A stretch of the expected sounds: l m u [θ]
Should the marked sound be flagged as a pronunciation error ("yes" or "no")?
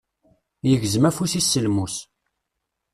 yes